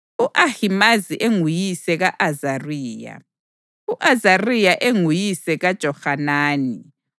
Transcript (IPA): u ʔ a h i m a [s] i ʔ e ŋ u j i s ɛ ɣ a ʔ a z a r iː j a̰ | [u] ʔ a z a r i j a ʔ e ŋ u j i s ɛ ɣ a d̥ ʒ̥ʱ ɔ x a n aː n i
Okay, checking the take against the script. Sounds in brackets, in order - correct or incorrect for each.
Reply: incorrect: z, correct

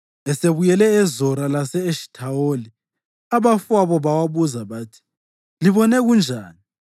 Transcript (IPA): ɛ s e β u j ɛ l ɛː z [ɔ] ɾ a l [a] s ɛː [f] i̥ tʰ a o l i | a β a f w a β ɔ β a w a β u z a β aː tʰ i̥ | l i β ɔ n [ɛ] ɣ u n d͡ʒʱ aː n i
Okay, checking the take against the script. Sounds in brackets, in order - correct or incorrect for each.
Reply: correct, correct, incorrect: ʃ, correct

